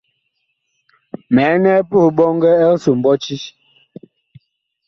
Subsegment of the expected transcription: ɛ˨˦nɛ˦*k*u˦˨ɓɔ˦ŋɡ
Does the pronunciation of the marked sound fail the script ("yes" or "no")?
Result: yes